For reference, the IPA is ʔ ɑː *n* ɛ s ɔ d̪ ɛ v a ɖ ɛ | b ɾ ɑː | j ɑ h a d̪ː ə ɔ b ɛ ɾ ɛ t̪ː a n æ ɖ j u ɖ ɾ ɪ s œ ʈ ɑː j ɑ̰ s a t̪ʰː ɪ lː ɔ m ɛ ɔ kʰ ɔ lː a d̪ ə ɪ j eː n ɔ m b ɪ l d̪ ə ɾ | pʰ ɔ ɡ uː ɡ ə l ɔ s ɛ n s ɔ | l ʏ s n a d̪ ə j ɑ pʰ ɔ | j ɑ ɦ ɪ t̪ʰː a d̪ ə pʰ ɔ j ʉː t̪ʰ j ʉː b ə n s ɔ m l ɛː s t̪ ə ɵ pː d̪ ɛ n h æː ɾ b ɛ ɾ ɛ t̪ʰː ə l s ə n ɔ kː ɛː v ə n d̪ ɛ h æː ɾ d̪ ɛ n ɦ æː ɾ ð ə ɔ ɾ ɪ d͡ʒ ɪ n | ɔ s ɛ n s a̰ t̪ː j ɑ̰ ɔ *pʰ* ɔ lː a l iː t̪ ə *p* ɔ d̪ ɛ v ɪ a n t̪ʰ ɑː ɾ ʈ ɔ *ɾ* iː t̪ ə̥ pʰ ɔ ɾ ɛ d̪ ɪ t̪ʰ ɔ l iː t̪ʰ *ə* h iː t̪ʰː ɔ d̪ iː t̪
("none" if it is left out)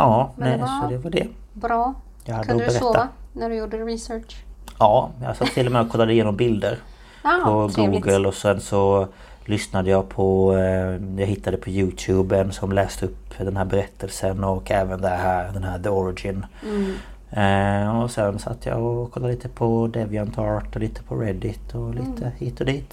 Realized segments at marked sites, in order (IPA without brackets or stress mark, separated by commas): n, kʰ, pʰ, l, ə